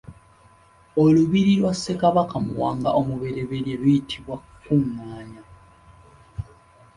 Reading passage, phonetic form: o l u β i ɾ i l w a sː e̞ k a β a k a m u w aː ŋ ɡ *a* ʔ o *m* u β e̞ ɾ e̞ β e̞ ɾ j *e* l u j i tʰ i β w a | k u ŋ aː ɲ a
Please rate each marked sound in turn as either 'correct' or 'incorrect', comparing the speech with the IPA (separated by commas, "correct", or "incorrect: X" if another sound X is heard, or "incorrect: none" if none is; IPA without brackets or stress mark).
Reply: correct, correct, correct